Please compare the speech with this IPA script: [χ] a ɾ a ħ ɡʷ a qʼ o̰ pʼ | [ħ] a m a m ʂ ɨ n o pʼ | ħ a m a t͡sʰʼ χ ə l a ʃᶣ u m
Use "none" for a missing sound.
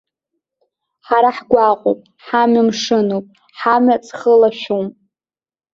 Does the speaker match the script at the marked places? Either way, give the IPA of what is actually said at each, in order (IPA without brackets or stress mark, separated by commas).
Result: ħ, ħ